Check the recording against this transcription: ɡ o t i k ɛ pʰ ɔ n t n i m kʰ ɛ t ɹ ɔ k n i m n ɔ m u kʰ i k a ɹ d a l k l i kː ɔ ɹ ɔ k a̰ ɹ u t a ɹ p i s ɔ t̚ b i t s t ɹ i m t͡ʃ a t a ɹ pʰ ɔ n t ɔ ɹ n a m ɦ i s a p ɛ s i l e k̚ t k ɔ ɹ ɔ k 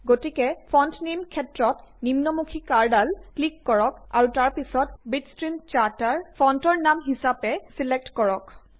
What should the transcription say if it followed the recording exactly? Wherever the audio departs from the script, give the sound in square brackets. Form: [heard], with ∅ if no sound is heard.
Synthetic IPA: ɡ o t i k ɛ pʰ ɔ n t n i m kʰ ɛ t ɹ ɔ [t] n i m n ɔ m u kʰ i k a ɹ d a l k l i kː ɔ ɹ ɔ k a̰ ɹ u t a ɹ p i s ɔ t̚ b i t s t ɹ i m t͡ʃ a t a ɹ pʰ ɔ n t ɔ ɹ n a m ɦ i s a p ɛ s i l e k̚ t k ɔ ɹ ɔ k